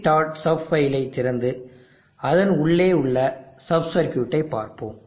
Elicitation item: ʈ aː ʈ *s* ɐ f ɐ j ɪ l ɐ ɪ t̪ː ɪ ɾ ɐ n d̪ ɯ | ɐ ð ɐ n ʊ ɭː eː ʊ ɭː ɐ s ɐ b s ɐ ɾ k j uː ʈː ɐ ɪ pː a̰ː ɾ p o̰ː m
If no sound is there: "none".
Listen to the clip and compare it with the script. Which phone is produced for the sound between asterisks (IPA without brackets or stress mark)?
s